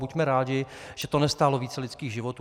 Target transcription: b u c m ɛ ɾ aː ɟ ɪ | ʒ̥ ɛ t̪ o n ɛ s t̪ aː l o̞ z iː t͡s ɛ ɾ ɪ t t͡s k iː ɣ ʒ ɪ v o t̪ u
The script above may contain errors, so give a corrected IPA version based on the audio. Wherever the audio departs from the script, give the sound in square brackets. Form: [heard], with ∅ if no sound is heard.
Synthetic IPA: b u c m ɛ ɾ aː ɟ ɪ | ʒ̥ ɛ t̪ o n ɛ s t̪ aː l o̞ [v] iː t͡s ɛ [l] ɪ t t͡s k iː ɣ ʒ ɪ v o t̪ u